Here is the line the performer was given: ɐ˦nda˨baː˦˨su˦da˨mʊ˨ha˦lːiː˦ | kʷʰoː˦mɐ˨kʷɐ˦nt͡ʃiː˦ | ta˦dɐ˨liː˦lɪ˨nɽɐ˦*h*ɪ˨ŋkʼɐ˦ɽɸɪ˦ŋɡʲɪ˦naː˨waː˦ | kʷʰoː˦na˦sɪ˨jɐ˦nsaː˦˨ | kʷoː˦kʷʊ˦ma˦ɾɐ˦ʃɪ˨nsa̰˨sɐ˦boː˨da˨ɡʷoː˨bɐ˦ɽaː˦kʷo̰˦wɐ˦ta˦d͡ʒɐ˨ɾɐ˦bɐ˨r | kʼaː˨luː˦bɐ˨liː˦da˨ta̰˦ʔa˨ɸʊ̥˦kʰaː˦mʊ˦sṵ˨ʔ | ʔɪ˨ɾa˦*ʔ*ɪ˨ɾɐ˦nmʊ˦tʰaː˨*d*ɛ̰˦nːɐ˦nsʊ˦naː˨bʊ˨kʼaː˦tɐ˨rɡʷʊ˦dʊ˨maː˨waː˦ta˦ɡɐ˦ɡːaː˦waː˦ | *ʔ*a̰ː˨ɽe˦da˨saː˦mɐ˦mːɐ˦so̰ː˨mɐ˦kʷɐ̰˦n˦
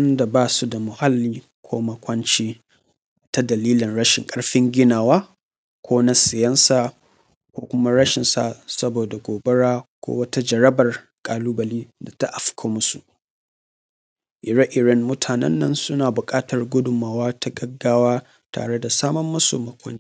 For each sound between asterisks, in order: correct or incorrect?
incorrect: ʃ, correct, incorrect: n, incorrect: t

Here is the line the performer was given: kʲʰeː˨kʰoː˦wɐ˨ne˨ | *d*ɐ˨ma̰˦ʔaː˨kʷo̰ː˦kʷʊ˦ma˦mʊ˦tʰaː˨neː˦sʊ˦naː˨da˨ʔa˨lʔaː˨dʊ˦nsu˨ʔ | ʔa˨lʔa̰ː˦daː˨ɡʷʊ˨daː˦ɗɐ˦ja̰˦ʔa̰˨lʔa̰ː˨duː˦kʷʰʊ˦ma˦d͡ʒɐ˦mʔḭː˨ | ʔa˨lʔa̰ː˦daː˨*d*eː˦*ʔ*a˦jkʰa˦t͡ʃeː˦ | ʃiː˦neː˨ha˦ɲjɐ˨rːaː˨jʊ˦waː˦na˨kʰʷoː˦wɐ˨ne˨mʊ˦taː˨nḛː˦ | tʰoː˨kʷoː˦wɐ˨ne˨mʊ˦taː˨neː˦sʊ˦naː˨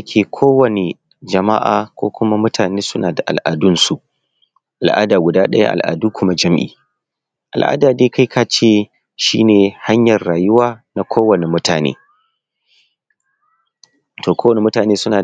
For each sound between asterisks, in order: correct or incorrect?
incorrect: d͡ʒ, correct, incorrect: k

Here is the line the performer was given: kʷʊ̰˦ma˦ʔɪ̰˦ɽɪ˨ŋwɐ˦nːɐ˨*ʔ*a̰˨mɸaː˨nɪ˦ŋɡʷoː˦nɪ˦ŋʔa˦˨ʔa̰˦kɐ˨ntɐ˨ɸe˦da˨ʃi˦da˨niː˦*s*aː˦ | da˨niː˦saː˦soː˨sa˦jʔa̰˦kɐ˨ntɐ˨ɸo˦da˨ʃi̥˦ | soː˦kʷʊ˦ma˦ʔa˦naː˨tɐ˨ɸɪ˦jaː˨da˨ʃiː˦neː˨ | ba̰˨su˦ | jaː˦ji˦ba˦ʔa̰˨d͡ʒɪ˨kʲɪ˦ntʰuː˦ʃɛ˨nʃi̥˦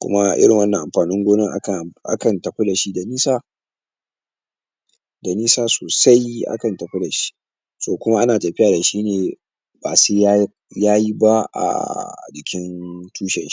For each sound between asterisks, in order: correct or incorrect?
correct, correct

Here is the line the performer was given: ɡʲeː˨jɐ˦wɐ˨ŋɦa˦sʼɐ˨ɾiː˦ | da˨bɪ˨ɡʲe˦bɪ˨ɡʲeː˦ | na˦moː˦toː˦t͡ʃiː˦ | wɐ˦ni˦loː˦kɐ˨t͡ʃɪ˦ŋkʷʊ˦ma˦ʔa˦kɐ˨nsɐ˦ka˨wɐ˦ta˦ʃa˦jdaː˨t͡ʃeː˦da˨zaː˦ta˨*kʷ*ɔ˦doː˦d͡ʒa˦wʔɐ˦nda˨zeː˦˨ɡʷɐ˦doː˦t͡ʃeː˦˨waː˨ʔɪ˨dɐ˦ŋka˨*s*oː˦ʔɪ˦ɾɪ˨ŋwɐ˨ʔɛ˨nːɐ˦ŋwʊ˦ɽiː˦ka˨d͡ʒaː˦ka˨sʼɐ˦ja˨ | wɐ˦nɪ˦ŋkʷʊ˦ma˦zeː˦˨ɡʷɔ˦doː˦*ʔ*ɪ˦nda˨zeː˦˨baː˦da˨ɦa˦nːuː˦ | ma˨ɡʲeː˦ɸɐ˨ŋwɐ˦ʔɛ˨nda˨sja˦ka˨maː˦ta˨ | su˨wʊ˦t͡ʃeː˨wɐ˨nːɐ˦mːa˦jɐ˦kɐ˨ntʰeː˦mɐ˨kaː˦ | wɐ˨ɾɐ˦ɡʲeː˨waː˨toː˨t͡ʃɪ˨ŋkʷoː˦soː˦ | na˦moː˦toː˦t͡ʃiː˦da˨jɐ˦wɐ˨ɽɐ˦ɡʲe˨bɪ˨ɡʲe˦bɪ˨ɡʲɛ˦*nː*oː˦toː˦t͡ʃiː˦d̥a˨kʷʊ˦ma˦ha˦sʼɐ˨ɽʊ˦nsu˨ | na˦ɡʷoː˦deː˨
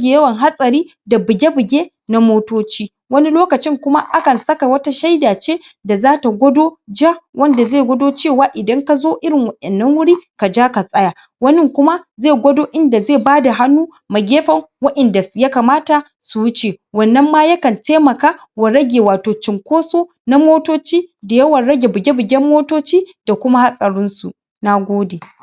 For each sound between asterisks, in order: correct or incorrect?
incorrect: ɡʷ, incorrect: z, correct, incorrect: mː

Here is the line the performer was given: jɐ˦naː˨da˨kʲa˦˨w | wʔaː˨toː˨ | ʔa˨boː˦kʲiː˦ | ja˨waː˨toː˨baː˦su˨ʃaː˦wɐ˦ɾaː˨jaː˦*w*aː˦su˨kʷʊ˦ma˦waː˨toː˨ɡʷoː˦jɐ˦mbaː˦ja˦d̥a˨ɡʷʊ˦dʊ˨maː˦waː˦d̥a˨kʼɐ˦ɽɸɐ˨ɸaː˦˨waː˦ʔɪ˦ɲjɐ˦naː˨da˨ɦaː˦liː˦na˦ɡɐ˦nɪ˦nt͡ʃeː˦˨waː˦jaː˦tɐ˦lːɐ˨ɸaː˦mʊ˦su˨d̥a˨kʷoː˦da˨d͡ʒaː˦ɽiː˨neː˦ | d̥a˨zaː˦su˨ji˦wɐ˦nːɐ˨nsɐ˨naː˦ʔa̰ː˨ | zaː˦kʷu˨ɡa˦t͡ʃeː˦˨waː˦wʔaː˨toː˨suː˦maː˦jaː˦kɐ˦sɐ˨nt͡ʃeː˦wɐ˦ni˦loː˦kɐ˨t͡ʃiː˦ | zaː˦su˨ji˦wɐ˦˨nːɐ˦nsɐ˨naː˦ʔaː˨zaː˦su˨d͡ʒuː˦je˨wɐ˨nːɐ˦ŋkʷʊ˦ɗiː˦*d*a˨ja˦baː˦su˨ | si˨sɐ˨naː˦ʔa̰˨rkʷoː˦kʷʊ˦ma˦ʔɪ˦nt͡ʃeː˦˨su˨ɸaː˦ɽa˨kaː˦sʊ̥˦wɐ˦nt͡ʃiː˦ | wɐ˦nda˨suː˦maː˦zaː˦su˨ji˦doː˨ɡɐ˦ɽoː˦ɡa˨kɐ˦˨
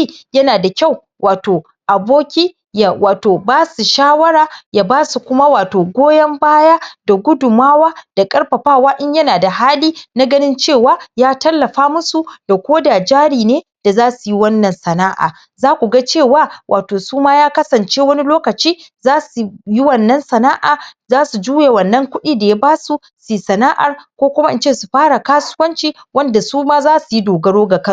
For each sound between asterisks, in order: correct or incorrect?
incorrect: b, correct

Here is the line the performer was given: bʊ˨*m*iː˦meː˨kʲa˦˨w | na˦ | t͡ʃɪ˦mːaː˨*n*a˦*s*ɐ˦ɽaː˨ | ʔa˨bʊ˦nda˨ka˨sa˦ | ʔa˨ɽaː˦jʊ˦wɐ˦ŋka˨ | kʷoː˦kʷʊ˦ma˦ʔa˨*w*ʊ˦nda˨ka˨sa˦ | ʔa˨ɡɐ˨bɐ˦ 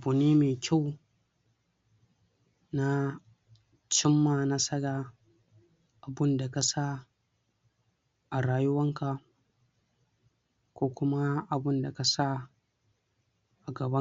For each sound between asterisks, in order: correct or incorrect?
incorrect: n, correct, correct, incorrect: b

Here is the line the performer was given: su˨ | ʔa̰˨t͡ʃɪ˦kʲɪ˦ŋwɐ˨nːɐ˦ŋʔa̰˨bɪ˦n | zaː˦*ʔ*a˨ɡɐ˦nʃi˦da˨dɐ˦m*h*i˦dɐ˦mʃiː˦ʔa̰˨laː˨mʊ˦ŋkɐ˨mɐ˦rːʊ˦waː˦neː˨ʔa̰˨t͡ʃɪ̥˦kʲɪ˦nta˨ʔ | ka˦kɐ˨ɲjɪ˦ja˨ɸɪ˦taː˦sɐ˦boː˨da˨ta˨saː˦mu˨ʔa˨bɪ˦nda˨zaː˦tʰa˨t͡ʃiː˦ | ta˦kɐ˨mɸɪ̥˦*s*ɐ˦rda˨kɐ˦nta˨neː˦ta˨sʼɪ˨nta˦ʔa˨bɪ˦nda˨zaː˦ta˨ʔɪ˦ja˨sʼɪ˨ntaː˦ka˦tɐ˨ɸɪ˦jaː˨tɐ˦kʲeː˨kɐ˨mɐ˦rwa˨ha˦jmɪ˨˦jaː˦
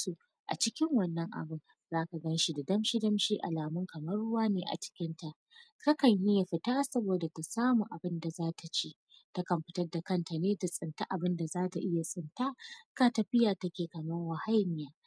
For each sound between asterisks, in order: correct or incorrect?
incorrect: k, incorrect: ʃ, incorrect: t

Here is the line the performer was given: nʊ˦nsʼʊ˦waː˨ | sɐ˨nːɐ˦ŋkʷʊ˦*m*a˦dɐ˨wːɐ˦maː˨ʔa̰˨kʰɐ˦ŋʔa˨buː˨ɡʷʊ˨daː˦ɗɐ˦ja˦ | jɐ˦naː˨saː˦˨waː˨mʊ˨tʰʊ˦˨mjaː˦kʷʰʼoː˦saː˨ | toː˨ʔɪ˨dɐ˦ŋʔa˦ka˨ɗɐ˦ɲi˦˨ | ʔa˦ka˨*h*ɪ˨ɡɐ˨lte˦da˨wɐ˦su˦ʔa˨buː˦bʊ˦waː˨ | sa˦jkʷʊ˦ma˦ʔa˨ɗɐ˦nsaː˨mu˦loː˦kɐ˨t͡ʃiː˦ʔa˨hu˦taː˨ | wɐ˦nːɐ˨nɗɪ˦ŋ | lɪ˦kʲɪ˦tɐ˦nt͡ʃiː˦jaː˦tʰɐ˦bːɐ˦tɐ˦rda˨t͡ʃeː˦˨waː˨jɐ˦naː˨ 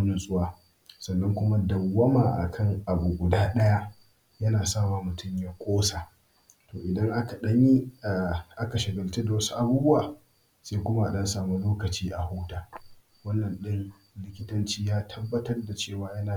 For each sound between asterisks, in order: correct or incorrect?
correct, incorrect: ʃ

